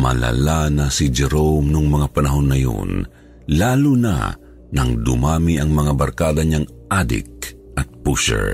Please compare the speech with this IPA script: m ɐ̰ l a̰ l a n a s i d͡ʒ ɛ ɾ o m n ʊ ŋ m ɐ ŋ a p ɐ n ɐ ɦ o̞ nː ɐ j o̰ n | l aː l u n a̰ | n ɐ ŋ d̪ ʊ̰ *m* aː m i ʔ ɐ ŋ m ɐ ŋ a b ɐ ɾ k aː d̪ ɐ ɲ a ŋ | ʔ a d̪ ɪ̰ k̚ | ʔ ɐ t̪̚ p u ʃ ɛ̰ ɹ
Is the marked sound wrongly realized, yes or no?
no